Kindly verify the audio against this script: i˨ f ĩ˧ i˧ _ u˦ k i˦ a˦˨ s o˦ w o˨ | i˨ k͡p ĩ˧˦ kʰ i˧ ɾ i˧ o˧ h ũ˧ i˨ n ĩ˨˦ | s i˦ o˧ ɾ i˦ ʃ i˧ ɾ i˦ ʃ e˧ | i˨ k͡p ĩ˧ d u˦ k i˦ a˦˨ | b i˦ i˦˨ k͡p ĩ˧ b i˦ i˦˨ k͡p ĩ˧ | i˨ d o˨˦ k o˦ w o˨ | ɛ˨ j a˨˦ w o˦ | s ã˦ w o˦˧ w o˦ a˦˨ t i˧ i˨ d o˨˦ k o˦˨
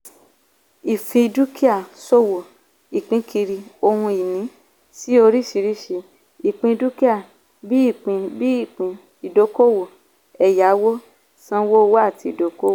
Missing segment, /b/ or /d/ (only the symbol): d